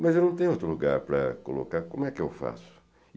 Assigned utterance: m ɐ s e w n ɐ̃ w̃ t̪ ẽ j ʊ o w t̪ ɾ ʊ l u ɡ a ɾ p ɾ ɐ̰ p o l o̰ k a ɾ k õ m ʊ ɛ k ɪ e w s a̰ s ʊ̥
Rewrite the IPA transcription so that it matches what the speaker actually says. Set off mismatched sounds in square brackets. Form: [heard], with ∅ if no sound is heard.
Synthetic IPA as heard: m ɐ [z] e w n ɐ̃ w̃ t̪ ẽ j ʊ o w t̪ ɾ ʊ l u ɡ a ɾ p ɾ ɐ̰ [k] o l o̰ k a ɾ k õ m ʊ ɛ k ɪ e w [f] a̰ s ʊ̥